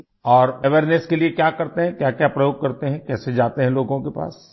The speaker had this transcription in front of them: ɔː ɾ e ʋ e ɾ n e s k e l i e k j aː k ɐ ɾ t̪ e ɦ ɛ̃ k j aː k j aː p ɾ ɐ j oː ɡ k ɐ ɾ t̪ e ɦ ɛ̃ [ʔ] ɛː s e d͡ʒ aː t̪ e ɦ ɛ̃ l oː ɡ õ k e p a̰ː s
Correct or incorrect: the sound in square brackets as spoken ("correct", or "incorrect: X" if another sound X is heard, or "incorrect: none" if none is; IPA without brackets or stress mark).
incorrect: k